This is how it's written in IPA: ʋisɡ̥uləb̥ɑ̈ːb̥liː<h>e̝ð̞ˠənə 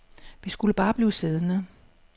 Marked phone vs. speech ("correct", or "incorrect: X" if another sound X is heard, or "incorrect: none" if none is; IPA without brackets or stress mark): incorrect: s